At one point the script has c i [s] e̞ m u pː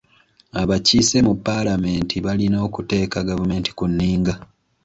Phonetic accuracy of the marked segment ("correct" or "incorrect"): correct